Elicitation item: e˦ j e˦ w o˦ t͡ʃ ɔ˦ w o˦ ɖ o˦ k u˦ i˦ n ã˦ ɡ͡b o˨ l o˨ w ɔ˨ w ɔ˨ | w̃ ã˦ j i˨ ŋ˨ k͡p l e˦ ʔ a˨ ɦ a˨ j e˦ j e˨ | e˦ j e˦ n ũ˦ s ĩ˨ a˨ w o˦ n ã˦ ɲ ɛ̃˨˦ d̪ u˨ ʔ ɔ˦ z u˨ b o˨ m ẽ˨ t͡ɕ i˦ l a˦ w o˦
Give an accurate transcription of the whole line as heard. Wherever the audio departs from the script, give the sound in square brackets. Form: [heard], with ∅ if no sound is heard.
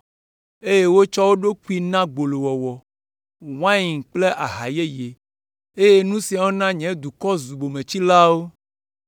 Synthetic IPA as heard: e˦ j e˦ w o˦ t͡ʃ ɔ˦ w o˦ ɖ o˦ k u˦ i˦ n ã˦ ɡ͡b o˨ l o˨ w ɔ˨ w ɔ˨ | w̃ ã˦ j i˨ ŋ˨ k͡p l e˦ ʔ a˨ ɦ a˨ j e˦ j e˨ | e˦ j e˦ n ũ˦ s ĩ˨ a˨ w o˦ n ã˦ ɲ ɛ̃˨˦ d̪ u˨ [k] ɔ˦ z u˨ b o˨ m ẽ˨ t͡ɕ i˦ l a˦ w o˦